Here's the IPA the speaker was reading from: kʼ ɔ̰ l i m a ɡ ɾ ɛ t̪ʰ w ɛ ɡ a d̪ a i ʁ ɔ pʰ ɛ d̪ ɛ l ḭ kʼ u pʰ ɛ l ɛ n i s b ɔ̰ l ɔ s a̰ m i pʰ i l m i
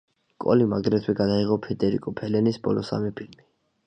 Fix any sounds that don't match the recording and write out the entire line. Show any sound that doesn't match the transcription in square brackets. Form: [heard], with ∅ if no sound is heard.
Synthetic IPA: kʼ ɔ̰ l i m a ɡ ɾ ɛ t̪ʰ w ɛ ɡ a d̪ a i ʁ ɔ pʰ ɛ d̪ ɛ [ɾ] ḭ kʼ [ɔ] pʰ ɛ l ɛ n i s b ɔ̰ l ɔ s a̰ m i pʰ i l m i